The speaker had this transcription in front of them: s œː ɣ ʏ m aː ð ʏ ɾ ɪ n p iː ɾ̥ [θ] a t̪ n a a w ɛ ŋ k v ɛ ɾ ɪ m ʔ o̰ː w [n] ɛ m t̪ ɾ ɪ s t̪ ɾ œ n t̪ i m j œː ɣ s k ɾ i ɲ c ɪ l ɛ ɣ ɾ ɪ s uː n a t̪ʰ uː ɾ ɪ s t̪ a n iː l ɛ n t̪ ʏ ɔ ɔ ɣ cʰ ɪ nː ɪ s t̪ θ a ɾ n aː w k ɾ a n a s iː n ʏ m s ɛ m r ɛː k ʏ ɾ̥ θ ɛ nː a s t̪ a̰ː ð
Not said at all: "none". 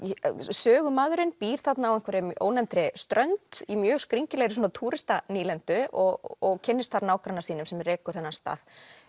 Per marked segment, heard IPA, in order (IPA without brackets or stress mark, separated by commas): θ, n